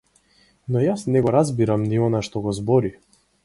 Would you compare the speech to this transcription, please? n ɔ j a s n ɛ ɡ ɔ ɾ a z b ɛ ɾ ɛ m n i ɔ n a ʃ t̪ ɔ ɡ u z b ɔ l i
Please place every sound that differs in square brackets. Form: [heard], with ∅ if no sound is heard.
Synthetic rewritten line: n ɔ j a s n ɛ ɡ ɔ ɾ a z b [i] ɾ [a] m n i ɔ n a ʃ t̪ ɔ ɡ [ɔ] z b ɔ [ɾ] i